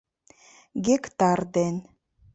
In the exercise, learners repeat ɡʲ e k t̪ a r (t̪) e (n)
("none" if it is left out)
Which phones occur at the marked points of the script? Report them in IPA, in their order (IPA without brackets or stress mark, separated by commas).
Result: d̪, n